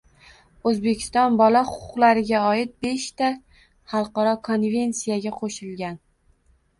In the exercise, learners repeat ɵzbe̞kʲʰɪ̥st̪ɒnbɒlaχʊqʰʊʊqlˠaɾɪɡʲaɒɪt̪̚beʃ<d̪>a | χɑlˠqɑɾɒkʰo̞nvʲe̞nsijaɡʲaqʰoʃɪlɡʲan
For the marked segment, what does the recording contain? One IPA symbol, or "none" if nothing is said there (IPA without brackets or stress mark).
t̪